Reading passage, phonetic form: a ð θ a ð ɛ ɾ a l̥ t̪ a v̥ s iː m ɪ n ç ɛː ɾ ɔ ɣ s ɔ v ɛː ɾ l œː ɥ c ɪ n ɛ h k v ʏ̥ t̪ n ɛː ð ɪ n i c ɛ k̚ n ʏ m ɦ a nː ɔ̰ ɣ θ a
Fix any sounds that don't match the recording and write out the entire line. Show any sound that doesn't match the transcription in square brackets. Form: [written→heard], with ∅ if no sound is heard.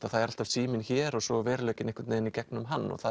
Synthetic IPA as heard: a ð θ a ð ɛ ɾ a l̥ t̪ a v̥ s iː m ɪ n ç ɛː ɾ ɔ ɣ s ɔ v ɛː ɾ l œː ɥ c ɪ n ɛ h k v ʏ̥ t̪ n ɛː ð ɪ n i c ɛ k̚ n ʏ m ɦ a nː ɔ̰ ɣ θ a